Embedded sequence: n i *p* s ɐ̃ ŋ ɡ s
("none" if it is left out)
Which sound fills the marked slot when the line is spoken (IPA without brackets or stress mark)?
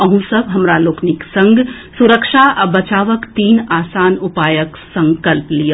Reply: k